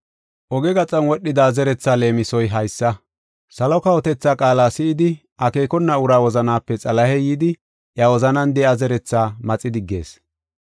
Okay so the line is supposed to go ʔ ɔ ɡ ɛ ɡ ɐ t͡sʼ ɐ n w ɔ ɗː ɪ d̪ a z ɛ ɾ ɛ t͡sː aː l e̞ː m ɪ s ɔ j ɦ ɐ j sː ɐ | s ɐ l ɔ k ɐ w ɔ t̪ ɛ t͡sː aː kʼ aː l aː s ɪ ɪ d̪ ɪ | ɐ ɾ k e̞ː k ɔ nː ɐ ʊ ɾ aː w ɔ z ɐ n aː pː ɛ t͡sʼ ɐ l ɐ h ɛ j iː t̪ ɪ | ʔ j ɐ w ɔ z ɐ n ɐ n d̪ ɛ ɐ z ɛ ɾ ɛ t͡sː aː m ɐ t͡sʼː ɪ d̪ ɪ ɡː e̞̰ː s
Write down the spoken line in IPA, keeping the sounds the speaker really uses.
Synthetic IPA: ʔ ɔ ɡ ɛ ɡ ɐ t͡sʼ ɐ n w ɔ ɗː ɪ d̪ a z ɛ ɾ ɛ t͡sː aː l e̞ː m ɪ s ɔ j ɦ ɐ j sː ɐ | s ɐ l ɔ k ɐ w ɔ t̪ ɛ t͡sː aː kʼ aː l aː s ɪ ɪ d̪ ɪ | ɐ k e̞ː k ɔ nː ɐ ʊ ɾ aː w ɔ z ɐ n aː pː ɛ t͡sʼ ɐ l ɐ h ɛ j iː d̪ ɪ | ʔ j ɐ w ɔ z ɐ n ɐ n d̪ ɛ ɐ z ɛ ɾ ɛ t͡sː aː m ɐ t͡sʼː ɪ d̪ ɪ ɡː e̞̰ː s